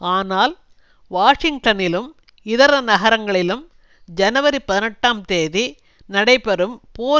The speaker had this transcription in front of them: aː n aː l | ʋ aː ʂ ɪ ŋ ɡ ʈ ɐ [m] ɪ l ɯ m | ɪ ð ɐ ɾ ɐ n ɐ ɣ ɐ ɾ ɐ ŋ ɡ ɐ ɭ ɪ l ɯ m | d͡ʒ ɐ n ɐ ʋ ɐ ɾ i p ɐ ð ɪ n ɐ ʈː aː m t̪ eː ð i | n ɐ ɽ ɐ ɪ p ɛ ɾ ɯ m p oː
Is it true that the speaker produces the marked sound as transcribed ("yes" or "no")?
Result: no